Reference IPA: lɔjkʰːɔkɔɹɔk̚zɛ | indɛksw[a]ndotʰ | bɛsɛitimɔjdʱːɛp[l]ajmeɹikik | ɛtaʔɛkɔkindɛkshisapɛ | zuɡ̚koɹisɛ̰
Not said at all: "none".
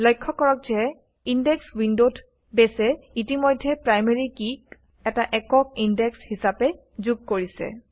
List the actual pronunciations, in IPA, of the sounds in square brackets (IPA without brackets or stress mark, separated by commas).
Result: i, ɹ